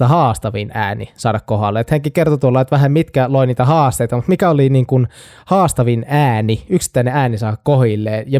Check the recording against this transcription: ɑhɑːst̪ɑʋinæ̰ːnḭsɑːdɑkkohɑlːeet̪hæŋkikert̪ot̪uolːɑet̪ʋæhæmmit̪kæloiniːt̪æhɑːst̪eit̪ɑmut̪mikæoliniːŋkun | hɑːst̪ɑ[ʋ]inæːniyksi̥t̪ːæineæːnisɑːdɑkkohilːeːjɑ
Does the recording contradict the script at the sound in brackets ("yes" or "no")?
no